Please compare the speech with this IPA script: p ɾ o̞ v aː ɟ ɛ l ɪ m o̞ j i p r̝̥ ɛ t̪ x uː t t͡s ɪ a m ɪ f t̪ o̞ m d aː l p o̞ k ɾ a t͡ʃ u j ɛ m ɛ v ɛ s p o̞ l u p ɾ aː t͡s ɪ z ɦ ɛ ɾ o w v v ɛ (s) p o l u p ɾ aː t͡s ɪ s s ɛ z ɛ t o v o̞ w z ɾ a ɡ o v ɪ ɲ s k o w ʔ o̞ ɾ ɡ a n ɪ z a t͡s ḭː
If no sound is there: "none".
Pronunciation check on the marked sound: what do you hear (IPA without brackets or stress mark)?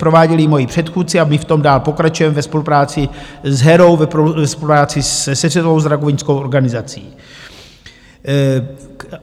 s